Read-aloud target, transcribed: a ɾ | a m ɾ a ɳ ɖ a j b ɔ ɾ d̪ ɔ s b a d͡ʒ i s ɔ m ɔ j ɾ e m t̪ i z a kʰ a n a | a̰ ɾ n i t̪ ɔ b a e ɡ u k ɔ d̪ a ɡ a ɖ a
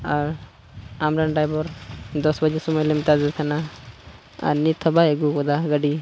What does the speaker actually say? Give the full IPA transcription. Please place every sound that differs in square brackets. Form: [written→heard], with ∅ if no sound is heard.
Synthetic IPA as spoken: a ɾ | a m ɾ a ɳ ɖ a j b ɔ ɾ d̪ ɔ s b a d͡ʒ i s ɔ m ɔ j [ɾ→l] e m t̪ [i→a] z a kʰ a n a | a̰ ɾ n i [t̪→t̪ʰ] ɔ b a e ɡ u k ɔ d̪ a ɡ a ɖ [a→i]